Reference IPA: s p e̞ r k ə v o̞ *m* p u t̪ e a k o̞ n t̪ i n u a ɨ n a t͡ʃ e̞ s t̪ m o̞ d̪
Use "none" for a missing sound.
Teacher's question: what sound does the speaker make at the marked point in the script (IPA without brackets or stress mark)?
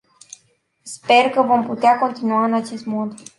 m